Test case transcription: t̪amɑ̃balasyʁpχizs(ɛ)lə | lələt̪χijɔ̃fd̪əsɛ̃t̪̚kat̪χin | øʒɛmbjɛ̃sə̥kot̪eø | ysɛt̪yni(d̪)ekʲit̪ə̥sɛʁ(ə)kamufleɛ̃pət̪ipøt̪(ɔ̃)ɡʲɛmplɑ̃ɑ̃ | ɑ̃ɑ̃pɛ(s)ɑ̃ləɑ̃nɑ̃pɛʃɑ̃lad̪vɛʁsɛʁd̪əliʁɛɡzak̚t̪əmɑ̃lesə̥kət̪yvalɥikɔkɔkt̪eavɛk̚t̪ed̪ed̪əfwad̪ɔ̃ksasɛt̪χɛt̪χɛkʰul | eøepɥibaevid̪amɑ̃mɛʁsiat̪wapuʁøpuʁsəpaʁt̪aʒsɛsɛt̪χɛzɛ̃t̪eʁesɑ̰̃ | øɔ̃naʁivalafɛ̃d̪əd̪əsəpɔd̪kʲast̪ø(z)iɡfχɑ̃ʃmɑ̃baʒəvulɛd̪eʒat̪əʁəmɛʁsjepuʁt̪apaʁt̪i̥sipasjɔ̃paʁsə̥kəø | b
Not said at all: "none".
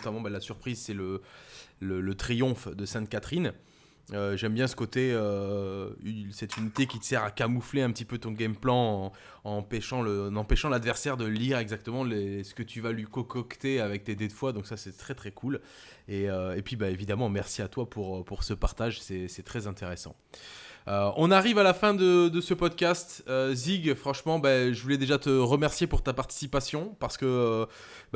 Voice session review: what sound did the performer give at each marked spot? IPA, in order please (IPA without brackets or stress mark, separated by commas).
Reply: ɛ, t̪, a, ɔ̃, ʃ, z